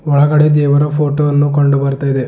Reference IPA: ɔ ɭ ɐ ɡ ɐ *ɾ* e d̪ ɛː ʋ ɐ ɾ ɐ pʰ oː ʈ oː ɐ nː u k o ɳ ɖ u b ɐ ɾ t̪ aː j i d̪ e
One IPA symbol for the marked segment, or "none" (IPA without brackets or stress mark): ɽ